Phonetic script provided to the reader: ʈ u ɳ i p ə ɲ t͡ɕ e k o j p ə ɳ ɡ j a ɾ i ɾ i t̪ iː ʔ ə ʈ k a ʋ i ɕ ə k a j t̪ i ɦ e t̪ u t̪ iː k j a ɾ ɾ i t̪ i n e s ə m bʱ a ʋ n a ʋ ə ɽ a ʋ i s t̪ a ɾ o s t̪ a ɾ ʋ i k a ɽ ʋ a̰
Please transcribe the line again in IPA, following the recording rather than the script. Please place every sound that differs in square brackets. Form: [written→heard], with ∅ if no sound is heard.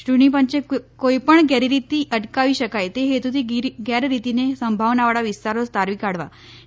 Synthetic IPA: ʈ u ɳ i p ə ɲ t͡ɕ e k o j p ə ɳ ɡ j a ɾ i ɾ i t̪ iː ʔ ə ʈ k a ʋ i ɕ ə k a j t̪ [i→e] ɦ e t̪ u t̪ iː [k→ɡ] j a ɾ ɾ i t̪ i n e s ə m bʱ a ʋ n a ʋ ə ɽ a ʋ i s t̪ a ɾ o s t̪ a ɾ ʋ i k a ɽ ʋ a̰